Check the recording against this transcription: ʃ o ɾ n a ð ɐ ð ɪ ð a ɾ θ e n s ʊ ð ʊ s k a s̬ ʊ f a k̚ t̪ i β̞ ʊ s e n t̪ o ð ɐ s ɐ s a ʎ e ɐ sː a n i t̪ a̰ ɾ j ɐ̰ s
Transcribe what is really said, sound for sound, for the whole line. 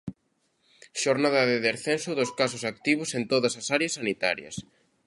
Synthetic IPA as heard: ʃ o ɾ n a ð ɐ ð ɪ ð e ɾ θ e n s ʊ ð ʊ s k a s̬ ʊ s a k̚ t̪ i β̞ ʊ s e n t̪ o ð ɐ s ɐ s a ɾ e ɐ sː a n i t̪ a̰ ɾ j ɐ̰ s